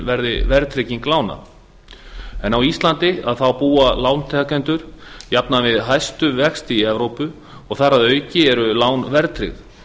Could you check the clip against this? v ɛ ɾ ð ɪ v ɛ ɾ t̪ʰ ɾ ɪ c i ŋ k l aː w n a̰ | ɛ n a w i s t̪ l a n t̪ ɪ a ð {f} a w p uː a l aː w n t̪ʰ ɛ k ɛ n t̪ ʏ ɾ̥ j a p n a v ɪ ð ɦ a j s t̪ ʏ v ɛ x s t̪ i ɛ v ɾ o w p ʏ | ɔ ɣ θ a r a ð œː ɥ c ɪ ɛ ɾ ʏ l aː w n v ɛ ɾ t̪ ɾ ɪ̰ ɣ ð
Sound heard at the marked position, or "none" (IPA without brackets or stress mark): θ